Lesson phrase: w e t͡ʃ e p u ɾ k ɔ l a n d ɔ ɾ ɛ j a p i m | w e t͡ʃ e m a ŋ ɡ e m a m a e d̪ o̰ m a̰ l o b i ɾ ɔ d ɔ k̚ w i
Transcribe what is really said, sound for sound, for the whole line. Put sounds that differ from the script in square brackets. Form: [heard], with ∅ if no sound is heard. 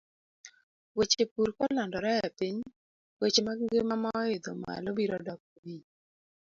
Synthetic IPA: w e t͡ʃ e p u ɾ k ɔ l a n d ɔ ɾ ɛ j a p i [ɲ] | w e t͡ʃ e m a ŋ ɡ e m a m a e d̪ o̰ m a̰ l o b i ɾ ɔ d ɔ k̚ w i